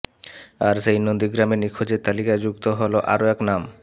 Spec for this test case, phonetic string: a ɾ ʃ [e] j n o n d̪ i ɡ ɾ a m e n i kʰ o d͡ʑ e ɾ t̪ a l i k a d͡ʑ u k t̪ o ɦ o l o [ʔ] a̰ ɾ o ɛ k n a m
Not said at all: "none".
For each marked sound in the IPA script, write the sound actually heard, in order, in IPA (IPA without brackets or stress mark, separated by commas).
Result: e, ʔ